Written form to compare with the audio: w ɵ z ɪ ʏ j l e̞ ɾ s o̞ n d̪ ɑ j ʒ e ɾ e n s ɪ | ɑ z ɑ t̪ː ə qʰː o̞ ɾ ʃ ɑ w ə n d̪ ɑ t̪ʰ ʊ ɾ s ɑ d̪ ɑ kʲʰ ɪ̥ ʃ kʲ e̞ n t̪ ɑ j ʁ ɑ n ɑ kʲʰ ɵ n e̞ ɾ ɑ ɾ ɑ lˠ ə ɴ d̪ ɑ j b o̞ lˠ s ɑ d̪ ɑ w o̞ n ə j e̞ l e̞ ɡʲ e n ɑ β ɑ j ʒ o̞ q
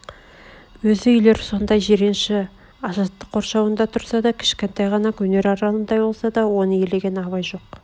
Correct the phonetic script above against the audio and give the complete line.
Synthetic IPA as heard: w ɵ z ɪ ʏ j l e̞ ɾ s o̞ n d̪ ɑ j ʒ e ɾ e n ʃ ɪ | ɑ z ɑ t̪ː ə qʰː o̞ ɾ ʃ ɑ w ə n d̪ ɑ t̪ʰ ʊ ɾ s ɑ d̪ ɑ kʲʰ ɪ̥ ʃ kʲ e̞ n t̪ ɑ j ʁ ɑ n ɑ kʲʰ ɵ n e̞ ɾ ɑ ɾ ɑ lˠ ə n d̪ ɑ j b o̞ lˠ s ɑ d̪ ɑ w o̞ n ə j e̞ l e̞ ɡʲ e n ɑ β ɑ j ʒ o̞ q

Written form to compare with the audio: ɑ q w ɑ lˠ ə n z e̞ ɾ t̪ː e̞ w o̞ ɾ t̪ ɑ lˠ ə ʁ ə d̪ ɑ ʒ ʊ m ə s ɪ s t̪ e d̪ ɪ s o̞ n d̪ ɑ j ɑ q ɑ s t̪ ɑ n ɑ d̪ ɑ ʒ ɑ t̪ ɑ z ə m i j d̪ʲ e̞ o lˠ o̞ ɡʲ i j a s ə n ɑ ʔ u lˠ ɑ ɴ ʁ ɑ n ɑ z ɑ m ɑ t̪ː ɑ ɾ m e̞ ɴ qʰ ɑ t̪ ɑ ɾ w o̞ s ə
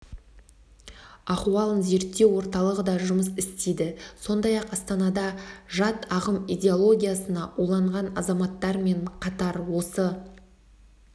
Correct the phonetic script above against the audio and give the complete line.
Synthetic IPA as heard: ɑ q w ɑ lˠ ə n z e̞ ɾ t̪ː e̞ w o̞ ɾ t̪ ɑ lˠ ə ʁ ə d̪ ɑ ʒ ʊ m ə s ɪ s t̪ e d̪ ɪ s o̞ n d̪ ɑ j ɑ q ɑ s t̪ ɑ n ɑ d̪ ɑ ʒ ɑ t̪ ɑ ʁ ə m i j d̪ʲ e̞ o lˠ o̞ ɡʲ i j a s ə n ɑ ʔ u lˠ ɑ ɴ ʁ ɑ n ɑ z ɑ m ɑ t̪ː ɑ ɾ m e̞ ɴ qʰ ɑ t̪ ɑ ɾ w o̞ s ə

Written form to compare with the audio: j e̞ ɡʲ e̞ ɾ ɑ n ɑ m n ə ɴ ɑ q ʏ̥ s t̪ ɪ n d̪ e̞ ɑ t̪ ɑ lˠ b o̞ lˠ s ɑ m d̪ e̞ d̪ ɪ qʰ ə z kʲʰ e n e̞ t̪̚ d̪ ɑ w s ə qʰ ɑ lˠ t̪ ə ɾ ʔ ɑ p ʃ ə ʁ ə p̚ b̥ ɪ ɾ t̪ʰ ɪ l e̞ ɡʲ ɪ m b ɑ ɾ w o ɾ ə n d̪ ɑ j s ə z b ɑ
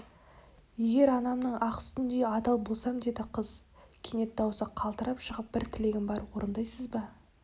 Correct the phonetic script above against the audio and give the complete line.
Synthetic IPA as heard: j e̞ ɡʲ e̞ ɾ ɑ n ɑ m n ə ɴ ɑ q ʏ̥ s t̪ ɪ n d̪ e̞ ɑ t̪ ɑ lˠ b o̞ lˠ s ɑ m d̪ e̞ d̪ ɪ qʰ ə z kʲʰ e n e̞ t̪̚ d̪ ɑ w s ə qʰ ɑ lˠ t̪ ə ɾ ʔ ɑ p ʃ ə ʁ ə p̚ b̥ ɪ ɾ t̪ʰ ɪ l e̞ ɡʲ ɪ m b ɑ ɾ w o ɾ ə n d̪ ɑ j s ə z b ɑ

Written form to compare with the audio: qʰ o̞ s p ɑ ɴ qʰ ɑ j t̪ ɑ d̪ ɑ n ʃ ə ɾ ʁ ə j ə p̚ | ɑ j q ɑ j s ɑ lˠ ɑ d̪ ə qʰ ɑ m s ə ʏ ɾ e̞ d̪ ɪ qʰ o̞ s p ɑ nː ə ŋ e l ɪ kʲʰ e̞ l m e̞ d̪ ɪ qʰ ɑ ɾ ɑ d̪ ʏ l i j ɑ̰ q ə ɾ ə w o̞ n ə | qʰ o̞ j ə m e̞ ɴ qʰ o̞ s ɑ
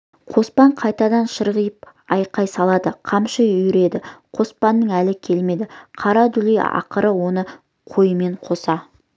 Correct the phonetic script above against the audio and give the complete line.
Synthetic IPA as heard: qʰ o̞ s p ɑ ɴ qʰ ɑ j t̪ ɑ d̪ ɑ n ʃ ə ɾ ʁ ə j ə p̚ | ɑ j q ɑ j s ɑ lˠ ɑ d̪ ə qʰ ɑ m ʃ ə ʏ ɾ e̞ d̪ ɪ qʰ o̞ s p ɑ nː ə ŋ æ l ɪ kʲʰ e̞ l m e̞ d̪ ɪ qʰ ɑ ɾ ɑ d̪ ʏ l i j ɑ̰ q ə ɾ ə w o̞ n ə | qʰ o̞ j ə m e̞ ɴ qʰ o̞ s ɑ

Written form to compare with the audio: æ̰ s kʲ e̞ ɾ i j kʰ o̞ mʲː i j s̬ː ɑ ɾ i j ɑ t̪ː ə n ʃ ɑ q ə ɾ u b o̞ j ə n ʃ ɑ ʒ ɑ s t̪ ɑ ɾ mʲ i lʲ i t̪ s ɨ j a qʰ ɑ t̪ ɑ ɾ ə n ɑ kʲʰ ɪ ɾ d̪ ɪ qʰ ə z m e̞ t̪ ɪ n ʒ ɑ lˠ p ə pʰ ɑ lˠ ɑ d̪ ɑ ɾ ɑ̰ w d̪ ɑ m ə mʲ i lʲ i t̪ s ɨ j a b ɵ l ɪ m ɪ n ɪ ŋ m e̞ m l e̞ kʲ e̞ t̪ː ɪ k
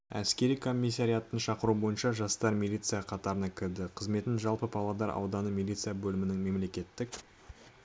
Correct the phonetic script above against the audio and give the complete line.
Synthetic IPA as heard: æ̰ s kʲ e̞ ɾ i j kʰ o̞ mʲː i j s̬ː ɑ ɾ i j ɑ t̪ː ə n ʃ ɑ q ə ɾ u b o̞ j ə n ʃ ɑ ʒ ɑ s t̪ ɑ ɾ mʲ i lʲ i t̪ s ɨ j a qʰ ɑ t̪ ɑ ɾ ə n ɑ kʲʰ ɪ ɾ d̪ ɪ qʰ ə z m e̞ t̪ ɪ n ʒ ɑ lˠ p ə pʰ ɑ lˠ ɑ d̪ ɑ ɾ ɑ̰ w d̪ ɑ n ə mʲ i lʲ i t̪ s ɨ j a b ɵ l ɪ m ɪ n ɪ ŋ m e̞ m l e̞ kʲ e̞ t̪ː ɪ k

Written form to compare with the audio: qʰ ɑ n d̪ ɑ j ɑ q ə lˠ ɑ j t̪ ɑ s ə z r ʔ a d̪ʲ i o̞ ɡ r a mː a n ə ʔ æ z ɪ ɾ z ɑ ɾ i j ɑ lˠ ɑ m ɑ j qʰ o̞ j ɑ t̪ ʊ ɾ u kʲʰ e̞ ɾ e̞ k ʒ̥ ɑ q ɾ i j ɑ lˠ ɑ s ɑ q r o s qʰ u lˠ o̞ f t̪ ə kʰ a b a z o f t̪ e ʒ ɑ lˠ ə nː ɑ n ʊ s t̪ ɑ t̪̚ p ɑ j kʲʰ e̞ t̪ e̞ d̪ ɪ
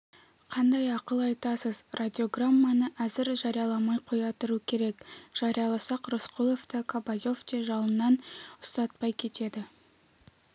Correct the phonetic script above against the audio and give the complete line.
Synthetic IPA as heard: qʰ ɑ n d̪ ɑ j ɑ q ə lˠ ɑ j t̪ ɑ s ə z r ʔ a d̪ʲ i o̞ ɡ r a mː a n ə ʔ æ z ɪ ɾ ʒ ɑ ɾ i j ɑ lˠ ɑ m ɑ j qʰ o̞ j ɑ t̪ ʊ ɾ u kʲʰ e̞ ɾ e̞ k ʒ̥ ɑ ɾ i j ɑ lˠ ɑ s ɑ q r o s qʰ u lˠ o̞ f t̪ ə kʰ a b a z o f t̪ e ʒ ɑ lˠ ə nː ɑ n ʊ s t̪ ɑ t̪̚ p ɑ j kʲʰ e̞ t̪ e̞ d̪ ɪ

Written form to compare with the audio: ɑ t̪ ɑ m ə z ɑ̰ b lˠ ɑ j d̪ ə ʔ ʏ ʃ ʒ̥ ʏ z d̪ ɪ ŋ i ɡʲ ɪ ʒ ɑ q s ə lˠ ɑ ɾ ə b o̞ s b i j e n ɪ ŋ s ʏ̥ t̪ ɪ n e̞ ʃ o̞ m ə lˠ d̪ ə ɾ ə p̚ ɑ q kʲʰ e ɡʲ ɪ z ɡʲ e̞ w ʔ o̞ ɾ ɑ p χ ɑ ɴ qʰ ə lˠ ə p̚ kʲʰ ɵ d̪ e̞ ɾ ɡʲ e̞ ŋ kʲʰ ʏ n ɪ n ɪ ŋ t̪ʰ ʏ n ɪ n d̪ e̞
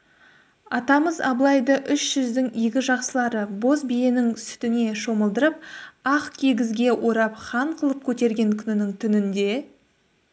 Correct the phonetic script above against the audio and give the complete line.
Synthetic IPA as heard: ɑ t̪ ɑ m ə z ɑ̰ b lˠ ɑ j d̪ ə ʔ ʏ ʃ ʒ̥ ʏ z d̪ ɪ ŋ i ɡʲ ɪ ʒ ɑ q s ə lˠ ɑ ɾ ə b o̞ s b i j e n ɪ ŋ s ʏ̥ t̪ ɪ n e̞ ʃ o̞ m ə lˠ d̪ ə ɾ ə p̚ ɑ q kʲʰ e ɡʲ ɪ z ɡʲ e̞ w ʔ o̞ ɾ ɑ p χ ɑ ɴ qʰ ə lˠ ə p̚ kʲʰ ɵ t̪ e̞ ɾ ɡʲ e̞ ŋ kʲʰ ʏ n ɪ n ɪ ŋ t̪ʰ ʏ n ɪ n d̪ e̞

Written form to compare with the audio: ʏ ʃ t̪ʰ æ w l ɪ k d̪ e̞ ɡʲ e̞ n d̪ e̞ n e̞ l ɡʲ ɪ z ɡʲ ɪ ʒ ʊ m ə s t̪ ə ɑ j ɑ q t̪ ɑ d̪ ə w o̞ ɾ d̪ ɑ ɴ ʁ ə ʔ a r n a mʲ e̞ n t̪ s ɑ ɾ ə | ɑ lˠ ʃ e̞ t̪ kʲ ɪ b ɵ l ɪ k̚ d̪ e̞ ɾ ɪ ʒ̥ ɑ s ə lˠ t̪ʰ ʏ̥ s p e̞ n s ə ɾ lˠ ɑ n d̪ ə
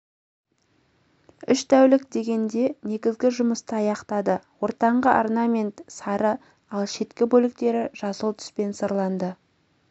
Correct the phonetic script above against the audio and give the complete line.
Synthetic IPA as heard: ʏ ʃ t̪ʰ æ w l ɪ k d̪ e̞ ɡʲ e̞ n d̪ e̞ n e̞ ɡʲ ɪ z ɡʲ ɪ ʒ ʊ m ə s t̪ ə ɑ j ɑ q t̪ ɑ d̪ ə w o̞ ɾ t̪ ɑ ɴ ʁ ə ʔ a r n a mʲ e̞ n t̪ s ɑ ɾ ə | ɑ lˠ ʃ e̞ t̪ kʲ ɪ b ɵ l ɪ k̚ t̪ e̞ ɾ ɪ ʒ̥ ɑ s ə lˠ t̪ʰ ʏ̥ s p e̞ n s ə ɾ lˠ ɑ n d̪ ə

